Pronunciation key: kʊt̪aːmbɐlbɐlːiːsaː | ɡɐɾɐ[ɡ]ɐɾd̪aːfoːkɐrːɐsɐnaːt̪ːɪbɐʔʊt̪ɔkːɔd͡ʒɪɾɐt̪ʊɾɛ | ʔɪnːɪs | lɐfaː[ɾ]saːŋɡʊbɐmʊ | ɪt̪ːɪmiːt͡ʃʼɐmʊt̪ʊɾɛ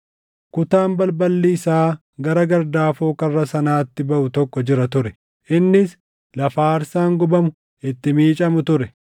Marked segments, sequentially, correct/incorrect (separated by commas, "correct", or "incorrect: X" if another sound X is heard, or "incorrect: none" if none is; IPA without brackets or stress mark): correct, correct